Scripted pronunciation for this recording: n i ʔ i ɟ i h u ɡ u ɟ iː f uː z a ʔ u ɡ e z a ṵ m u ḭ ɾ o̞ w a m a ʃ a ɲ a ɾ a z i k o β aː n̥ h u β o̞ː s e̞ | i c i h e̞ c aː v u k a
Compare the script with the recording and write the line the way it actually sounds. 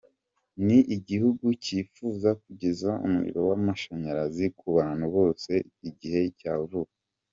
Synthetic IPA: n i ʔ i ɟ i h u ɡ u c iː f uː z a k u ɟ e z a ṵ m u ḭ ɾ o̞ w a m a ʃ a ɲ a ɾ a z i k u β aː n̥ h u β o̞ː s e̞ | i ɟ i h e̞ c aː v u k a